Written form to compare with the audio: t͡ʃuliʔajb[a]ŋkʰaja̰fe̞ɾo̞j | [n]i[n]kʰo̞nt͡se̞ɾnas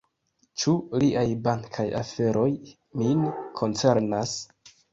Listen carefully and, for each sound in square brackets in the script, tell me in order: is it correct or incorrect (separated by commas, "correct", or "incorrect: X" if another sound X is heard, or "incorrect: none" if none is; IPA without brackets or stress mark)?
correct, incorrect: m, correct